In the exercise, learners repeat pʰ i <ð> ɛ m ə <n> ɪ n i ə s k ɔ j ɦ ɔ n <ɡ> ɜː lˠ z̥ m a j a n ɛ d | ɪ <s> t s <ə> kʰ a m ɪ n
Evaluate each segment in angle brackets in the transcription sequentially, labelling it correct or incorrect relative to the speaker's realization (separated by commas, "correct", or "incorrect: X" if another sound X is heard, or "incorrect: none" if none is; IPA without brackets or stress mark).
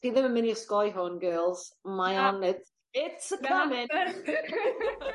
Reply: correct, incorrect: m, correct, incorrect: none, correct